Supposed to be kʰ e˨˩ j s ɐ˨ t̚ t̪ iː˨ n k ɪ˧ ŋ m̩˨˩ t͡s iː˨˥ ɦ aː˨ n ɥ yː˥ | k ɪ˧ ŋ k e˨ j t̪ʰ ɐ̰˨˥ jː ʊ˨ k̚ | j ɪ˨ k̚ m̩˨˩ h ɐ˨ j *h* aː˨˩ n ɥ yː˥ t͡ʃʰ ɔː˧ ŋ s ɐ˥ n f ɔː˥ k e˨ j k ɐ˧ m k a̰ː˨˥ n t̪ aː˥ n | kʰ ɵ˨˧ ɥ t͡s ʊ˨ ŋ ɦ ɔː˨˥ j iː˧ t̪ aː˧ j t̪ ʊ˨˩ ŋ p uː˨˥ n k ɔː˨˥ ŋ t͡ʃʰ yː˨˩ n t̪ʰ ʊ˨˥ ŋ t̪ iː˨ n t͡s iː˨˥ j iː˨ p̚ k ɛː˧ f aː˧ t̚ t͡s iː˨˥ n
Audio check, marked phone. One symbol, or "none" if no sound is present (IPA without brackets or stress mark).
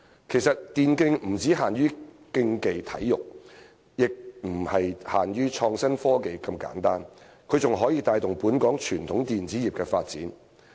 h